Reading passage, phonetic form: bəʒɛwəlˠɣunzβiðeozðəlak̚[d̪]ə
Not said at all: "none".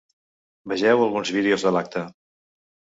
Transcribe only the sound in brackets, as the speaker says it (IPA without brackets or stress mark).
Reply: t̪